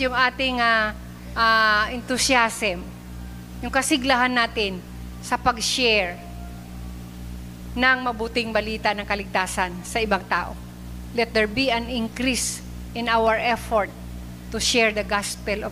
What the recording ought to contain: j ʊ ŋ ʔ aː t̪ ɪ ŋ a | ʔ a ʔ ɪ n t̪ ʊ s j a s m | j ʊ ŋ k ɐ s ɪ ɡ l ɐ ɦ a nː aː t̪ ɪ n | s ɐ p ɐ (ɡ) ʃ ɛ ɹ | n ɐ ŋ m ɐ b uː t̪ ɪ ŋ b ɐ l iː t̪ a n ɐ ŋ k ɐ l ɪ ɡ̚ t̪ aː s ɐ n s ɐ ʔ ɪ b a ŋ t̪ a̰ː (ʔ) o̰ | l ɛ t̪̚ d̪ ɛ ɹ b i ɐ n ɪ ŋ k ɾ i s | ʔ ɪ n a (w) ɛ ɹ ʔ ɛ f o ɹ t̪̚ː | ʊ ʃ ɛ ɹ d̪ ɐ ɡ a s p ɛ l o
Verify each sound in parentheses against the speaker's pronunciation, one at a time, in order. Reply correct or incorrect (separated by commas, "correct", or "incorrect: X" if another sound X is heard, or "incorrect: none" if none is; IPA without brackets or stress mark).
correct, correct, correct